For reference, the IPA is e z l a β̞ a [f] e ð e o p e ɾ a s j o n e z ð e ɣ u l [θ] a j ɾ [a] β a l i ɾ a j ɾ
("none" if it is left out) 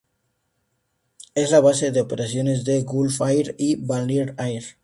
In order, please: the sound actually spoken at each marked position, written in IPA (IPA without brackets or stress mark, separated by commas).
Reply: s, f, i